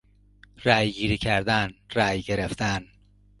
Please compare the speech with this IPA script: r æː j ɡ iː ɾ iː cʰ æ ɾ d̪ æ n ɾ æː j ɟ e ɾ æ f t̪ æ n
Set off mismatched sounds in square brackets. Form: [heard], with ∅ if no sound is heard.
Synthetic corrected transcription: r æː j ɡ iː ɾ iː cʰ æ ɾ d̪ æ n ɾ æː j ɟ e ɾ [e] f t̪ æ n

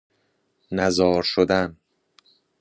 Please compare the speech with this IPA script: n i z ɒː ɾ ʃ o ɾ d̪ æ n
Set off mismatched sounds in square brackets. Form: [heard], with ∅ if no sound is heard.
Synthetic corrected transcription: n [æ] z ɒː ɾ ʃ o [∅] d̪ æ n

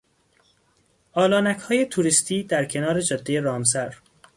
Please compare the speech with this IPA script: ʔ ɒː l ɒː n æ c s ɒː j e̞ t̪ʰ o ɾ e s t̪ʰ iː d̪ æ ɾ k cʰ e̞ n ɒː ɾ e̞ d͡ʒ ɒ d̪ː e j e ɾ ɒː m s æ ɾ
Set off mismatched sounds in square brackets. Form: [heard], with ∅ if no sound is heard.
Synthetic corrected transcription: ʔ ɒː l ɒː n æ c [h] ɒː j e̞ t̪ʰ [u] ɾ [i] s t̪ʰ iː d̪ æ ɾ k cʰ e̞ n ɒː ɾ e̞ d͡ʒ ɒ d̪ː e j e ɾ ɒː m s æ ɾ

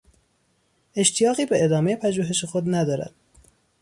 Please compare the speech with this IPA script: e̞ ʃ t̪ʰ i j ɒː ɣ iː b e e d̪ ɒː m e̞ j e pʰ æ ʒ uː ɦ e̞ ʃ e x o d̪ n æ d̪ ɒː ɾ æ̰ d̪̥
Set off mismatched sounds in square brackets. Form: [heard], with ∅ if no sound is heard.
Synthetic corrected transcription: e̞ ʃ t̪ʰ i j ɒː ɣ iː b e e d̪ ɒː m e̞ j e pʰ æ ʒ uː ɦ e̞ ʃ e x o d̪ n æ d̪ ɒː ɾ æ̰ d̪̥

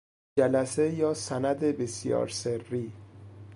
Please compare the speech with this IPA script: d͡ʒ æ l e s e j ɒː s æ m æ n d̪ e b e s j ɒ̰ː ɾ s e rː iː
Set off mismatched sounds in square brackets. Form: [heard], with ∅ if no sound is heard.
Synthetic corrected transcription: d͡ʒ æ l [æ] s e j ɒː s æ [n] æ [∅] d̪ e b e s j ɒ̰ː ɾ s e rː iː

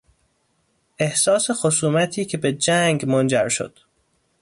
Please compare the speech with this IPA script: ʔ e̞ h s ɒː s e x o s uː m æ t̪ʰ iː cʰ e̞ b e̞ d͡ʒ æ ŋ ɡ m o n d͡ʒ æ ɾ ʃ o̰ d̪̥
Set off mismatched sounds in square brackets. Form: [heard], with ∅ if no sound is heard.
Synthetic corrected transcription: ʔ e̞ h s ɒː s e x o s uː m æ t̪ʰ iː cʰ e̞ b e̞ d͡ʒ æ ŋ ɡ m o n d͡ʒ æ ɾ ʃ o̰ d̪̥

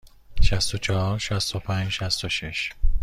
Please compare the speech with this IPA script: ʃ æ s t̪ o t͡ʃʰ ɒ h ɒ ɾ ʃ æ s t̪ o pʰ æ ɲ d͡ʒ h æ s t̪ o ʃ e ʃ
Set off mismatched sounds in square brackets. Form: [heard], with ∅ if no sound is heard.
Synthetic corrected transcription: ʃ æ s t̪ o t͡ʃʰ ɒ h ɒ ɾ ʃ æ s t̪ o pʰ æ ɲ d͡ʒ [ʃ] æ s t̪ o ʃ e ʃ

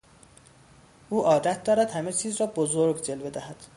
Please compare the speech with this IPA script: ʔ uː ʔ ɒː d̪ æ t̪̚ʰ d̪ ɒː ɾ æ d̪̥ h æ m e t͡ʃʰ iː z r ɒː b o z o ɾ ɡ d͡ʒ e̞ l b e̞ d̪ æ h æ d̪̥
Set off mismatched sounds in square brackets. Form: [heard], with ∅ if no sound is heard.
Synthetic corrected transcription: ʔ uː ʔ ɒː d̪ æ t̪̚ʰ d̪ ɒː ɾ æ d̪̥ h æ m e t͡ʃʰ iː z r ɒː b o z o ɾ ɡ d͡ʒ e̞ l b e̞ d̪ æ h æ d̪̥

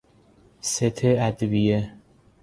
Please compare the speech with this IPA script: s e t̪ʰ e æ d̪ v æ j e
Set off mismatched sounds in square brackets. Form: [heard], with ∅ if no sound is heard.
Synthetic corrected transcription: s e t̪ʰ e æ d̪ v [i] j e

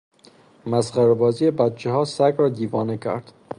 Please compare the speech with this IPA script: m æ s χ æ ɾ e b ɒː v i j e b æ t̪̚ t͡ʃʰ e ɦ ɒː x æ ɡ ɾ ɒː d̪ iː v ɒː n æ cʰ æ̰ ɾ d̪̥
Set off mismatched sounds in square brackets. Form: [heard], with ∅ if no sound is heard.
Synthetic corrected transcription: m æ s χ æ ɾ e b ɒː [z] i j e b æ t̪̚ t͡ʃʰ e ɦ ɒː [s] æ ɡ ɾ ɒː d̪ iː v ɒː n [e] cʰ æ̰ ɾ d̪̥

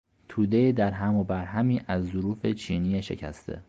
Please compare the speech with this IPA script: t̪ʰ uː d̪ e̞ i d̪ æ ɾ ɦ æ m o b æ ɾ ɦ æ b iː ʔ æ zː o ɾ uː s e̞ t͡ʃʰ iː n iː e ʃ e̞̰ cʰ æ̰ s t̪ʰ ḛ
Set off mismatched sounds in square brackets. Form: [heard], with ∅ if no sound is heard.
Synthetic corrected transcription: t̪ʰ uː d̪ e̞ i d̪ æ ɾ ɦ æ m o b æ ɾ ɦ æ [m] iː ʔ æ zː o ɾ uː [f] e̞ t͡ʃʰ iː n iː e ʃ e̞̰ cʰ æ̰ s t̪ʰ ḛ

